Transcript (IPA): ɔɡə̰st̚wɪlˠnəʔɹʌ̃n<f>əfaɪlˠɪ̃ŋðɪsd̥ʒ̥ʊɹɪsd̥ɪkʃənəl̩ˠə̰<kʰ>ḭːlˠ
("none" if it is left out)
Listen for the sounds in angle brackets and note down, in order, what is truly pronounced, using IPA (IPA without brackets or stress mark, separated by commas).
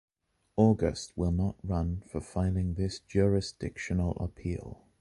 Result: f, pʰ